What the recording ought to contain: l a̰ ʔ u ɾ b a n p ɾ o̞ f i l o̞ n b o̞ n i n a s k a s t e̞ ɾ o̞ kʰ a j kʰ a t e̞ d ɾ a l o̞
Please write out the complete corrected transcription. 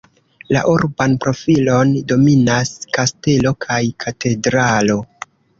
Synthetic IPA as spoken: l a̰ ʔ u ɾ b a n p ɾ o̞ f i l o̞ n d o̞ m i n a s k a s t e̞ l o̞ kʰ a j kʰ a t e̞ d ɾ a l o̞